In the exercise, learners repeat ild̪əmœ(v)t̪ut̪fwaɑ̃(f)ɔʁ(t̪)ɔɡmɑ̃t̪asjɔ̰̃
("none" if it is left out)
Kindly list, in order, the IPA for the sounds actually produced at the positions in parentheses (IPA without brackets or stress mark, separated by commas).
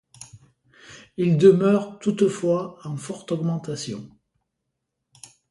ʁ, f, t̪